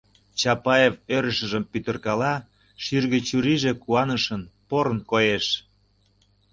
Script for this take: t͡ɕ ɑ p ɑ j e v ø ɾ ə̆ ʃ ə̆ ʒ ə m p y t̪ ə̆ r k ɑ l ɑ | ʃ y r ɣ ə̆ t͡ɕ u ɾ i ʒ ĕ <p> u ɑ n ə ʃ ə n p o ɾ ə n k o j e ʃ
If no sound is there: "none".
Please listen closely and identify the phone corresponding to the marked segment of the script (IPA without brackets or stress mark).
k